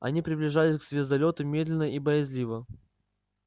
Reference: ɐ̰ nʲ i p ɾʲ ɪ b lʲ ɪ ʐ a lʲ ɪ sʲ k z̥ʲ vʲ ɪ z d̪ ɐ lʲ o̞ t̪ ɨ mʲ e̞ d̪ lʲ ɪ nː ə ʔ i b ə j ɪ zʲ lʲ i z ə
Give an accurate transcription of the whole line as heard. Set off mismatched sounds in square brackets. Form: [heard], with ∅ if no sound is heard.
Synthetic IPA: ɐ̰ nʲ i p ɾʲ ɪ b lʲ ɪ ʐ a lʲ ɪ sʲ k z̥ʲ vʲ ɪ z d̪ ɐ lʲ o̞ t̪ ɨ mʲ e̞ d̪ lʲ ɪ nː ə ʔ i b ə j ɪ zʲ lʲ i [v] ə